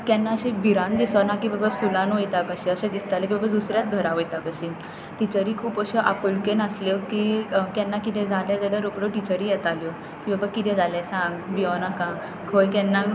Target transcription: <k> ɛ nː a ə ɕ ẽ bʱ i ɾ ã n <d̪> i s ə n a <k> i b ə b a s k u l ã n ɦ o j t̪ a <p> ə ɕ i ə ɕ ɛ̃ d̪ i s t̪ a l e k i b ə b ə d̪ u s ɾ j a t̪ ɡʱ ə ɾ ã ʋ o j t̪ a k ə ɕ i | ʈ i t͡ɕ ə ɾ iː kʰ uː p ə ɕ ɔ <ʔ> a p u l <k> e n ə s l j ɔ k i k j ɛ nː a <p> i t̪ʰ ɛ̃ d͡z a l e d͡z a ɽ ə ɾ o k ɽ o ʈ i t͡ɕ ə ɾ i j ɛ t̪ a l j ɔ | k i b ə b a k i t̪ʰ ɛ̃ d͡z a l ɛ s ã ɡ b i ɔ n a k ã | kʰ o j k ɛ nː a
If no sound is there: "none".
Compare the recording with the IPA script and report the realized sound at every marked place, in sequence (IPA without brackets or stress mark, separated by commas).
k, d̪, k, k, ʔ, k, k